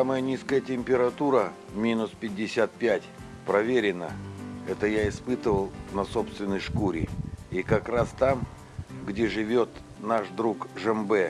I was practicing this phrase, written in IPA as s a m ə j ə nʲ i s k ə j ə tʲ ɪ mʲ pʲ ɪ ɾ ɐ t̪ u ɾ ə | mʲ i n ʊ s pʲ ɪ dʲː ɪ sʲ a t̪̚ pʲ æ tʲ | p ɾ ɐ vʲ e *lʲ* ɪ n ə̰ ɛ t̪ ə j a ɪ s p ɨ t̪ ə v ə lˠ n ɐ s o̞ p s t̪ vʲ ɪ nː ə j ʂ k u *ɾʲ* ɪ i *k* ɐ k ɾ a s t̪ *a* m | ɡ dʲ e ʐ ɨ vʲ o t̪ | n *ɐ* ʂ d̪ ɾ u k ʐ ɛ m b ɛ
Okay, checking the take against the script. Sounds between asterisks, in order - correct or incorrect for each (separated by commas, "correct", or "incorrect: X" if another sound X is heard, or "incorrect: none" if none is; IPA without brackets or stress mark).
incorrect: ɾʲ, correct, correct, correct, incorrect: a